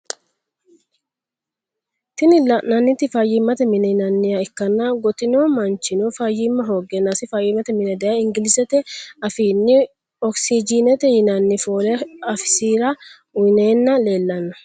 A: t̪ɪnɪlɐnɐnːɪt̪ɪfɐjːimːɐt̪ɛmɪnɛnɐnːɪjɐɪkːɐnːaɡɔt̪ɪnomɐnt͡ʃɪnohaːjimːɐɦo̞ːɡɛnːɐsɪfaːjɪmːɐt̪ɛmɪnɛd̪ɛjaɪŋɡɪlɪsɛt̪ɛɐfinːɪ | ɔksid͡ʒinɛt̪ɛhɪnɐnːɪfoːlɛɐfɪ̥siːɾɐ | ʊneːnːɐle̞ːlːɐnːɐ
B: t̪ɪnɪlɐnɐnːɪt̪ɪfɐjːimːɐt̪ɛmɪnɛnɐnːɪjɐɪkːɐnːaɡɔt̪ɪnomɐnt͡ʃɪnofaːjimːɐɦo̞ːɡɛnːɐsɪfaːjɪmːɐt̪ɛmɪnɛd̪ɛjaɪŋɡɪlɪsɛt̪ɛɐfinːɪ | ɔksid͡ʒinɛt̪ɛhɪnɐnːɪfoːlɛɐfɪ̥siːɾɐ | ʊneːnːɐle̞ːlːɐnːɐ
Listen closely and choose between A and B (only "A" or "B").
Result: B